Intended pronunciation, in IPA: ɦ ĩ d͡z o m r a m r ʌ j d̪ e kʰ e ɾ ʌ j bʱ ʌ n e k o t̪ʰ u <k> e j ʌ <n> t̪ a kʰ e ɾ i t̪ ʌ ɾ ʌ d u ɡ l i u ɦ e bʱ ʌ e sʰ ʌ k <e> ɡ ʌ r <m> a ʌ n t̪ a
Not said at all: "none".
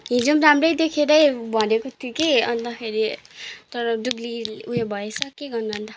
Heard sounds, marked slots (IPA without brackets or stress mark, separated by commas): k, n, e, n